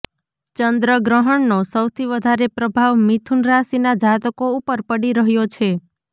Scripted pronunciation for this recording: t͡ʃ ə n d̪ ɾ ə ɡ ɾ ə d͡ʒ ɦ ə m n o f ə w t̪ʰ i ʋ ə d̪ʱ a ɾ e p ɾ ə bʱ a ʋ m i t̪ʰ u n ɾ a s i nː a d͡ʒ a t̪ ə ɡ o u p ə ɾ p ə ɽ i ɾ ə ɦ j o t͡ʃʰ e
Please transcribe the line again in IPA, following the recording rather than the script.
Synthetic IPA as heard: t͡ʃ ə n d̪ ɾ ə ɡ ɾ ə ɦ ə ɳ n o s ə w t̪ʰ i ʋ ə d̪ʱ a ɾ e p ɾ ə bʱ a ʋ m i t̪ʰ u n ɾ a s i n a d͡ʒ a t̪ ə k o u p ə ɾ p ə ɽ i ɾ ə ɦ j o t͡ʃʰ e